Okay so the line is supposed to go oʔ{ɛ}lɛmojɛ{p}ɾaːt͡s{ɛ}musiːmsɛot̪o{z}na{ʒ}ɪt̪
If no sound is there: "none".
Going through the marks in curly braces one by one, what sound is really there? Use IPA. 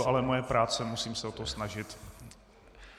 a, p, ɛ, s, ʒ

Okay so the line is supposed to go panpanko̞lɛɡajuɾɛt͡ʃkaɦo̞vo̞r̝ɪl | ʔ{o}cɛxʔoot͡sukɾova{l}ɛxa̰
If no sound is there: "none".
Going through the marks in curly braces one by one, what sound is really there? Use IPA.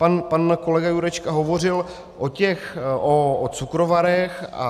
o, ɾ

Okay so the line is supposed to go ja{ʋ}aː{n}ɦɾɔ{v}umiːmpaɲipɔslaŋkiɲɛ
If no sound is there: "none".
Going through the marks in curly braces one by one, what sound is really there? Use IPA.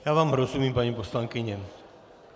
ʋ, m, z

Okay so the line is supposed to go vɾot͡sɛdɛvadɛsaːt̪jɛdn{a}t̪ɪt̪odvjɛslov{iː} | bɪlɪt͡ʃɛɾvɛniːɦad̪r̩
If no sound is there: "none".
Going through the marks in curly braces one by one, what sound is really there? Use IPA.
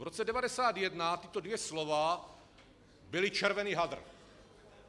a, aː

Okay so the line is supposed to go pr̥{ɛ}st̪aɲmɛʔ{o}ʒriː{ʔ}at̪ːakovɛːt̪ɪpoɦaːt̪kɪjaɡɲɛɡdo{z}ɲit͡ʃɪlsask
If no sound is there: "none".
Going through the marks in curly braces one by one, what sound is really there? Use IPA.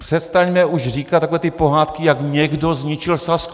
ɛ, u, k, z

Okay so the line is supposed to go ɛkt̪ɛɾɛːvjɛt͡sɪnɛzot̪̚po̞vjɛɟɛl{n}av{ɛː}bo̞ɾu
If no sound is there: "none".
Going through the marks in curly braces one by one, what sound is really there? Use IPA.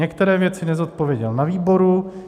n, iː

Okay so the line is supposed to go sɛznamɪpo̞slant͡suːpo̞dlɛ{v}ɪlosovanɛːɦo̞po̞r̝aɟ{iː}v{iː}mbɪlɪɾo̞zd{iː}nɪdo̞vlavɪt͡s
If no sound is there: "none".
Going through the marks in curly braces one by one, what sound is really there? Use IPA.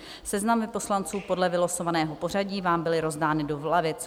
v, iː, aː, aː

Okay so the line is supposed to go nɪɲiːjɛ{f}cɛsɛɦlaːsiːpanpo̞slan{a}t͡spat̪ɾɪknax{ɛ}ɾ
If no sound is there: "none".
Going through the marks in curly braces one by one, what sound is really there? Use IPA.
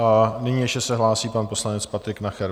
ʃ, ɛ, ɛ

